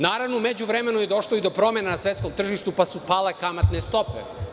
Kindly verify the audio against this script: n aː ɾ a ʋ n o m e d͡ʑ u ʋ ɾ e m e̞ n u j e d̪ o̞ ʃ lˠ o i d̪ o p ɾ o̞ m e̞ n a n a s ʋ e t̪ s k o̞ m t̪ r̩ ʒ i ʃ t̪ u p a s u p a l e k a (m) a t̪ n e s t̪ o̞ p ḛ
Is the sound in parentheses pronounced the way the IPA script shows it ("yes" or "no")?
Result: yes